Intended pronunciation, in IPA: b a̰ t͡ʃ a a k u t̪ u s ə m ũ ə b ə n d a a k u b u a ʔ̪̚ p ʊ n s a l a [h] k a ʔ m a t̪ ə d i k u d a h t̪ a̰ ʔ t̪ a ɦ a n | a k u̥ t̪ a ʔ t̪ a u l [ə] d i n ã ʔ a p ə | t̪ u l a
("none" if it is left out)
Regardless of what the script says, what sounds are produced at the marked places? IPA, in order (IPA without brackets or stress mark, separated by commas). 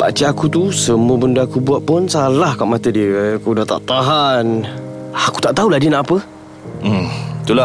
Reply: h, a